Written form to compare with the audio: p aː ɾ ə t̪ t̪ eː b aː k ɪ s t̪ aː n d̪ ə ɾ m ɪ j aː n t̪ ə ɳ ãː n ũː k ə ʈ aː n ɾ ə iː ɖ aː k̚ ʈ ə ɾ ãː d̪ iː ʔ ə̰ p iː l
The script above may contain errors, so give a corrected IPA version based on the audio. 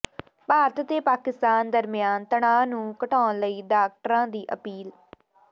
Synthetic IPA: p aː ɾ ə t̪ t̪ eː p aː k ɪ s t̪ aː n d̪ ə ɾ m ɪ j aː n t̪ ə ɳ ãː n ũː k ə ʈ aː n l ə iː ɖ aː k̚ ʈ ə ɾ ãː d̪ iː ʔ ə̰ p iː l